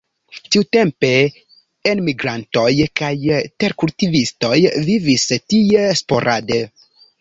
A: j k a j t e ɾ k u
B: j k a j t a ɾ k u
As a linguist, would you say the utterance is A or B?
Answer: A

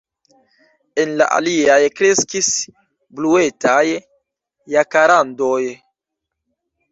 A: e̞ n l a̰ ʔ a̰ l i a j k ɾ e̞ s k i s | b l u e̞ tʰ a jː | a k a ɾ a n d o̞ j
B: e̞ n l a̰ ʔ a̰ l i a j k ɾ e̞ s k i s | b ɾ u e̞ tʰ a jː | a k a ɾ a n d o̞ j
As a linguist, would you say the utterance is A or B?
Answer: A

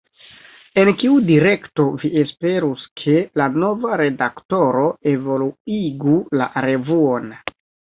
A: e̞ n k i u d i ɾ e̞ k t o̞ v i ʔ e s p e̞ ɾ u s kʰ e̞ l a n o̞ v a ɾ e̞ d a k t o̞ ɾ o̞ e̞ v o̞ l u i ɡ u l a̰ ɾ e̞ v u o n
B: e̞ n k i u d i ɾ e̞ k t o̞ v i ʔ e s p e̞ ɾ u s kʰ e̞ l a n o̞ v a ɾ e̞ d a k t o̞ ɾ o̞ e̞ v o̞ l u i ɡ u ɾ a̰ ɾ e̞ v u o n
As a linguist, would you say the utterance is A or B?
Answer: A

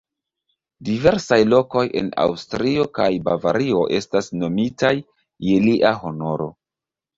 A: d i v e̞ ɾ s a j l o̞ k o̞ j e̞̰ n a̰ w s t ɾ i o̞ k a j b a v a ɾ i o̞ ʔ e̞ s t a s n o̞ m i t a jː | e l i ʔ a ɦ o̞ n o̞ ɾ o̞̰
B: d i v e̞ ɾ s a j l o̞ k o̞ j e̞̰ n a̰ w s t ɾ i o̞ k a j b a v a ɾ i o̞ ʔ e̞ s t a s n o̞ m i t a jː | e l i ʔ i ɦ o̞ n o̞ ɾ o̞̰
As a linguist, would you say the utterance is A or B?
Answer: A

